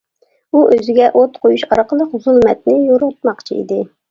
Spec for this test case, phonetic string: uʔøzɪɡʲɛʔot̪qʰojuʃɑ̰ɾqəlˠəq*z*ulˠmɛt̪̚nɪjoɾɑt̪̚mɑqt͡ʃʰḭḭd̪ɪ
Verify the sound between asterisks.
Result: correct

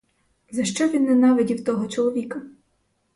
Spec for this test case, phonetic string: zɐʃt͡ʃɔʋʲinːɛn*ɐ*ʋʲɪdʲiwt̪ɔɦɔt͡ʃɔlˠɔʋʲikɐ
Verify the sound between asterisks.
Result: incorrect: ɑ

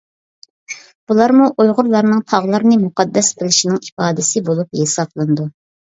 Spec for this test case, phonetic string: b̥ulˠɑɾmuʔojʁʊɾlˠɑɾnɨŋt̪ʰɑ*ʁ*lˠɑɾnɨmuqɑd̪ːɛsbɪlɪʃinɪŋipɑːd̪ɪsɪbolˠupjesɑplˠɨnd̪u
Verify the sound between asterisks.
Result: correct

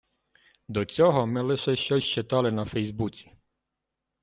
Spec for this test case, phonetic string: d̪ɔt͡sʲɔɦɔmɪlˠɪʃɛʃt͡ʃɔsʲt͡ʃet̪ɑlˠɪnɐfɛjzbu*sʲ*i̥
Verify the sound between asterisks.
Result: incorrect: t͡sʲ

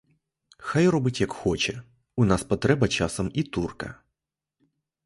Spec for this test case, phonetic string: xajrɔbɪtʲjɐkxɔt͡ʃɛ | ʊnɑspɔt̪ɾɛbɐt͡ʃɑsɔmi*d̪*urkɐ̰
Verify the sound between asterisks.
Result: incorrect: t̪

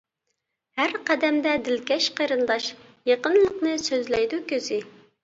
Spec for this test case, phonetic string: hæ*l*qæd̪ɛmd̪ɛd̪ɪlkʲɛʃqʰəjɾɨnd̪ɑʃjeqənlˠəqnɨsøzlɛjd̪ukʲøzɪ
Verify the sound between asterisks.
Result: incorrect: ɾ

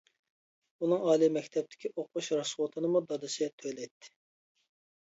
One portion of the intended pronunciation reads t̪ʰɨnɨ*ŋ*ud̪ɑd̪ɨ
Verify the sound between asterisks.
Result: incorrect: m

